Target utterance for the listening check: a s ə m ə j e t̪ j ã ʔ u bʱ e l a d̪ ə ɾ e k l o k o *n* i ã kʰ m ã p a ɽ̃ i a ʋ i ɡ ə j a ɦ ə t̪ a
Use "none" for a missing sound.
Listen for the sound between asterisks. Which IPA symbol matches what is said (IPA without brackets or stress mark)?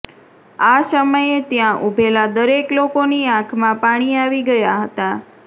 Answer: n